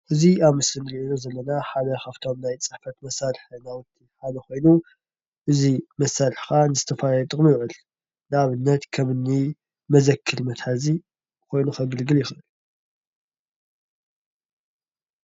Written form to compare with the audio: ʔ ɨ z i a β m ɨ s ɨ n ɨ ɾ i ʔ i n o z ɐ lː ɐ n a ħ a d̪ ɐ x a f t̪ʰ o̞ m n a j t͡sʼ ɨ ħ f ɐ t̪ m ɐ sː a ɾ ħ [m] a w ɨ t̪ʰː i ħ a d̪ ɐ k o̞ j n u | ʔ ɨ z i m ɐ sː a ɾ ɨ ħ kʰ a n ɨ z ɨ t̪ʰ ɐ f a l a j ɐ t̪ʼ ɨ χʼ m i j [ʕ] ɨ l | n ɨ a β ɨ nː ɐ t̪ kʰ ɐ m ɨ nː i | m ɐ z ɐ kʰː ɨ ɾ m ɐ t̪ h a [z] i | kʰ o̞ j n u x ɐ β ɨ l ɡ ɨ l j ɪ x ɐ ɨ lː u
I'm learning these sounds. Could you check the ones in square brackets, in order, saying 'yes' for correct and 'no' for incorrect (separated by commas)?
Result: no, yes, yes